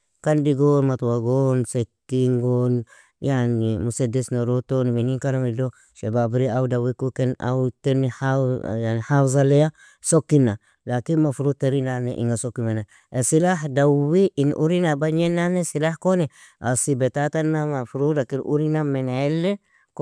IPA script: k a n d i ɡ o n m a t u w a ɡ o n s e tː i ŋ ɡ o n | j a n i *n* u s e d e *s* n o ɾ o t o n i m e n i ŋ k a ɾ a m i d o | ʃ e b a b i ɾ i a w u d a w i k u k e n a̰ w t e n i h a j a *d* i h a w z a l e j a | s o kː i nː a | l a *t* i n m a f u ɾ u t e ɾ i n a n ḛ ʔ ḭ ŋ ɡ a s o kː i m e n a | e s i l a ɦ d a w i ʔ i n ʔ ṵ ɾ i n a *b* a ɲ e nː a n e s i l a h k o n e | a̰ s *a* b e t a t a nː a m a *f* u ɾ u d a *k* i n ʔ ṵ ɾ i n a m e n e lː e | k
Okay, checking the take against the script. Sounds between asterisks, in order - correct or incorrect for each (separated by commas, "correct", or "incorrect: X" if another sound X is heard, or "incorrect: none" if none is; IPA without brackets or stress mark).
incorrect: m, correct, incorrect: n, incorrect: k, correct, incorrect: i, correct, correct